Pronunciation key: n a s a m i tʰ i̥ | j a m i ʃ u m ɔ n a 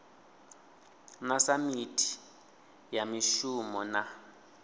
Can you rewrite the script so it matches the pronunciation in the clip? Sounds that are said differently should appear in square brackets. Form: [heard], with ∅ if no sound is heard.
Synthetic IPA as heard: n a s a m i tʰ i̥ | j a m i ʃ u m ɔ n a